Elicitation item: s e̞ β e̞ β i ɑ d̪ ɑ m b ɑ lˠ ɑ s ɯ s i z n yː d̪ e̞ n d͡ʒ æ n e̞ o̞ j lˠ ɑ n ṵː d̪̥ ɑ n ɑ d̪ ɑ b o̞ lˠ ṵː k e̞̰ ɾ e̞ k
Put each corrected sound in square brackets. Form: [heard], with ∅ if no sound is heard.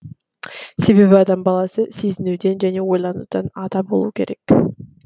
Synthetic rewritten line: s e̞ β e̞ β i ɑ d̪ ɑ m b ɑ lˠ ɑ s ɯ s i z n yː d̪ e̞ n d͡ʒ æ n e̞ o̞ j lˠ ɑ n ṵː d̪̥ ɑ n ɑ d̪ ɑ b o̞ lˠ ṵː k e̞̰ ɾ e̞ k